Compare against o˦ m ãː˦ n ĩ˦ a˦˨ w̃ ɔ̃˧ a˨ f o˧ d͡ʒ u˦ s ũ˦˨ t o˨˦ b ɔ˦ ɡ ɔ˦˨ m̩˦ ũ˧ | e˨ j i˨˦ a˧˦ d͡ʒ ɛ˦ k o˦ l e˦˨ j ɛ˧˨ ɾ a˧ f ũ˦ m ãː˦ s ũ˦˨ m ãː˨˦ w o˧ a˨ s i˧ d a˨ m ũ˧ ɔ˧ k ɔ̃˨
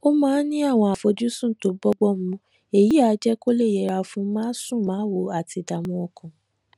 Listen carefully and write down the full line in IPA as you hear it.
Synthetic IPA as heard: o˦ m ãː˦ n ĩ˦ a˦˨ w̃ ɔ̃˧ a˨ f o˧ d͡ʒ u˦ s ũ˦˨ t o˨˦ b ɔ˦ ɡ͡b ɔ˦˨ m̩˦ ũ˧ | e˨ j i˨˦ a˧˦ d͡ʒ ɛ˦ k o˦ l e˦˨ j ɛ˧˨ ɾ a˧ f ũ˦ m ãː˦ s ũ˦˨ m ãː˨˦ w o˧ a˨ t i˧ d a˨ m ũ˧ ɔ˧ k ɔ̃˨